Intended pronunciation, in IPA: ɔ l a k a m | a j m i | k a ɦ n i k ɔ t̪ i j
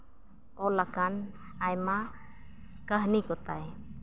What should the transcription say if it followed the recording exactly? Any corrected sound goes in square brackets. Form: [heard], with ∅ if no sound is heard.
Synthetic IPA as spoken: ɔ l a k a [n] | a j m [a] | k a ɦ n i k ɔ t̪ [a] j

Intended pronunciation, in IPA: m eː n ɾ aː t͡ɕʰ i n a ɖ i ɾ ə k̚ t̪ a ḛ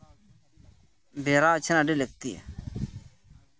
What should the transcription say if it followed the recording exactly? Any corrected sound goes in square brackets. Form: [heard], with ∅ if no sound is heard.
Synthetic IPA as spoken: [b] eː [∅] ɾ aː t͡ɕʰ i n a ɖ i [l] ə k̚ t̪ [i] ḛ

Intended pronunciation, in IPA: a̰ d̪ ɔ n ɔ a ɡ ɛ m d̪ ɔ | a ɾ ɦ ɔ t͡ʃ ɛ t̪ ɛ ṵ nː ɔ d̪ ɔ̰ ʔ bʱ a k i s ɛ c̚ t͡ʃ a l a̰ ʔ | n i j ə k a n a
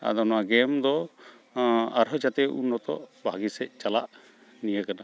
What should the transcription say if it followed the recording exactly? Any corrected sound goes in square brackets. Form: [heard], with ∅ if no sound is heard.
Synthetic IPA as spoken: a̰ d̪ ɔ n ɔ a ɡ ɛ m d̪ ɔ | a ɾ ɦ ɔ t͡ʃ [a] t̪ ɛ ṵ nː ɔ [t̪] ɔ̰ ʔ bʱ a [ɡ] i s ɛ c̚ t͡ʃ a l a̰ ʔ | n i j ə k a n a

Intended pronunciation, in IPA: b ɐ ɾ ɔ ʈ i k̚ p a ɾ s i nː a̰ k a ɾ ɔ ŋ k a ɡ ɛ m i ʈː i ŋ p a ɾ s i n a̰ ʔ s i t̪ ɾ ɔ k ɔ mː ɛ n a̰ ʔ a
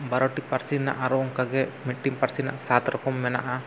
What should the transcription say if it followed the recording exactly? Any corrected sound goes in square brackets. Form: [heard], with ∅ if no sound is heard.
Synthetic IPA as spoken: b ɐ ɾ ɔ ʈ i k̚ p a ɾ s i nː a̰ [ʔ] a ɾ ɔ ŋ k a ɡ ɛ m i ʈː i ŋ p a ɾ s i n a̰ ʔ s [a] t̪ ɾ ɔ k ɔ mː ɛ n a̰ ʔ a

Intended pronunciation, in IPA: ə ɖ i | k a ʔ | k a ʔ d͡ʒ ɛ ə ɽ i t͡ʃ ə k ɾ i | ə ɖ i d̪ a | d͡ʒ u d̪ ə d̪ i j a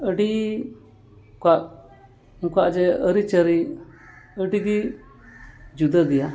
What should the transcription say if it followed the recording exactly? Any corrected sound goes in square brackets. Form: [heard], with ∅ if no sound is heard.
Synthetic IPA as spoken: ə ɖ i | k a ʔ | k a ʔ d͡ʒ ɛ ə [ɾ] i t͡ʃ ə [∅] ɾ i | ə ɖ i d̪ [i] | d͡ʒ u d̪ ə d̪ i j a

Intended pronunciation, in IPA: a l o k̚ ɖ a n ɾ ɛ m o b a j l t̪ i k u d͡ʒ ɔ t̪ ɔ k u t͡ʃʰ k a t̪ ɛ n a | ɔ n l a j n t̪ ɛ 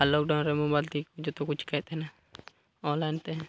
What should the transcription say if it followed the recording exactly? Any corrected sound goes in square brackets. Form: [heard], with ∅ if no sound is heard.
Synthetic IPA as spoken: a l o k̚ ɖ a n ɾ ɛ m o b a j l t̪ i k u d͡ʒ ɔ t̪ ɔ k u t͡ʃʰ k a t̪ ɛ n a | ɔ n l a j n t̪ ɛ

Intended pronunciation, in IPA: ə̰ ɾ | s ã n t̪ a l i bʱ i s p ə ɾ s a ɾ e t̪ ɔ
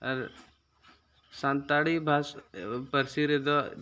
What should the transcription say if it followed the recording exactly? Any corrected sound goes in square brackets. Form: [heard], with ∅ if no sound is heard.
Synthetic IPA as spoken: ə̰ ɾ | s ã n t̪ a [ɽ] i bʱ [a] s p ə ɾ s [i] ɾ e [d̪] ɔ

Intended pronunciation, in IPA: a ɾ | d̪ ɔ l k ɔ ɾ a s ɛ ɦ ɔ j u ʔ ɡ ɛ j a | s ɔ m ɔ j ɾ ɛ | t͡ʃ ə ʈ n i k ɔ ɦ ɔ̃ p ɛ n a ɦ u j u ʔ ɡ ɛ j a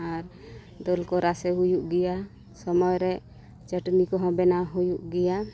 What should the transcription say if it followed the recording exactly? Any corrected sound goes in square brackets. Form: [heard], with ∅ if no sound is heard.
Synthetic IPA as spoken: a ɾ | d̪ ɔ l k ɔ ɾ a s ɛ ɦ [u] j u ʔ ɡ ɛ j a | s ɔ m ɔ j ɾ ɛ | t͡ʃ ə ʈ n i k ɔ ɦ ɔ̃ [b] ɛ n a ɦ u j u ʔ ɡ ɛ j a

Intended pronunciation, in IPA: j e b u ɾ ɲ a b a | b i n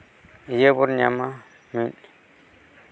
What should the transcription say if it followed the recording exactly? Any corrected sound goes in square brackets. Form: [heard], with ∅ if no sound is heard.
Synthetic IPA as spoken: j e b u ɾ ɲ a [m] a | [m] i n

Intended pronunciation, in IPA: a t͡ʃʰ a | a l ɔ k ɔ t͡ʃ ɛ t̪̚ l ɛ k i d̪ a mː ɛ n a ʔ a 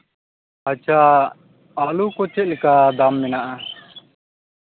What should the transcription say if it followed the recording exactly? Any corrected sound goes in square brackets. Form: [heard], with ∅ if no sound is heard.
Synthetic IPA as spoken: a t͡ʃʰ a | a l [u] k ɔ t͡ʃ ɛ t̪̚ l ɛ k [a] d̪ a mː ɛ n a ʔ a

